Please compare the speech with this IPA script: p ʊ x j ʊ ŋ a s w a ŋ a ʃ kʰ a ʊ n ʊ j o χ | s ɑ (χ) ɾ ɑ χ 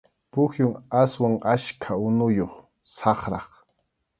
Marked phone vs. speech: correct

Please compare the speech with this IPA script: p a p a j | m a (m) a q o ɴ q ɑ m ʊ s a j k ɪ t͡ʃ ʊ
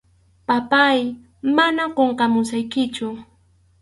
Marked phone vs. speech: incorrect: n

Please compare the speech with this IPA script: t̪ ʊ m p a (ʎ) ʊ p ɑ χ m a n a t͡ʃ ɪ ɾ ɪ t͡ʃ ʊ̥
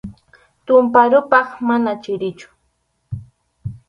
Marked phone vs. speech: incorrect: ɾ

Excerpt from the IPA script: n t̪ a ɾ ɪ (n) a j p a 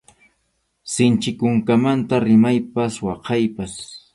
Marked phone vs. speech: incorrect: m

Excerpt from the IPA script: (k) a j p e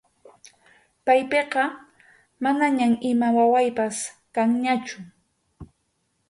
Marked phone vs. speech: incorrect: p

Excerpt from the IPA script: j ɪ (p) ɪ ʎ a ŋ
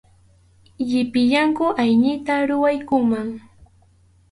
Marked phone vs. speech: correct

